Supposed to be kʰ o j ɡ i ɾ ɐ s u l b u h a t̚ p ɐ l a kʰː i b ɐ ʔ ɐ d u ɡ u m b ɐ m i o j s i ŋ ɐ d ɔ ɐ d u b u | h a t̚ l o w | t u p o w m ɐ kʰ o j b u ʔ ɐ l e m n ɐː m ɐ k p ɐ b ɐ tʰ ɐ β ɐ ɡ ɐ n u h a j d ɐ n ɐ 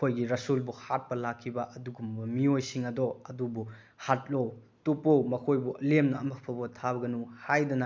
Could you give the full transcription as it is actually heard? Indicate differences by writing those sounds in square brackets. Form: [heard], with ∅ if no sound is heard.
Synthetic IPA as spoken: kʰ o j ɡ i ɾ ɐ s u l b u h a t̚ p ɐ l a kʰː i b ɐ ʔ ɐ d u ɡ u m b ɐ m i o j s i ŋ ɐ d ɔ ɐ d u b u | h a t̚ l o w | t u p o w m ɐ kʰ o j b u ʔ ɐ l e m n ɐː m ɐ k [pʰ] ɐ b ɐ tʰ [a] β ɐ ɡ ɐ n u h a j d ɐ n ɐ